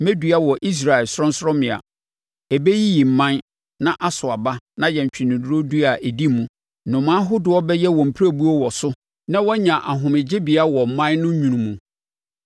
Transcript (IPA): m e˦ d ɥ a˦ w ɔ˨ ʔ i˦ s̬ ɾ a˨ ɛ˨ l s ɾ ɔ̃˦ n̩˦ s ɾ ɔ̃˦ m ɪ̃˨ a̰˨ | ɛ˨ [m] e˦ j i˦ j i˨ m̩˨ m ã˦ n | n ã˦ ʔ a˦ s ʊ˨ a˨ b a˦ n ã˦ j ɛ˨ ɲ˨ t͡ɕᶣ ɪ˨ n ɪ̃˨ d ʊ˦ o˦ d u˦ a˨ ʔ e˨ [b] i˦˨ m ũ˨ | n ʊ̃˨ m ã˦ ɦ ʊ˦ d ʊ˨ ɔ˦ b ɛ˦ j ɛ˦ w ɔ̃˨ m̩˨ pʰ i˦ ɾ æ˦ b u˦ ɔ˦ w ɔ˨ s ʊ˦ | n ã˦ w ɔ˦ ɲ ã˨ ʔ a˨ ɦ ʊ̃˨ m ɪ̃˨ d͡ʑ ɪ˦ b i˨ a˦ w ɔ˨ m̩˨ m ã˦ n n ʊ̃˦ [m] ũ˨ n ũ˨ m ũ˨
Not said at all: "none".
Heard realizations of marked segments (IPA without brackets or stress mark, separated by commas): b, d, ɲ